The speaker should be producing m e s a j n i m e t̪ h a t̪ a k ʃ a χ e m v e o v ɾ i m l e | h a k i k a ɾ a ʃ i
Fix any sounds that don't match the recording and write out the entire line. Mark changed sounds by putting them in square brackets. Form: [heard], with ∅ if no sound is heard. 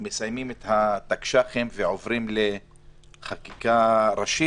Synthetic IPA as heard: m e s a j [m] i m e t̪ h a t̪ a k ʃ a χ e m v e o v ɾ i m l e | [χ] a k i k a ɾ a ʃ i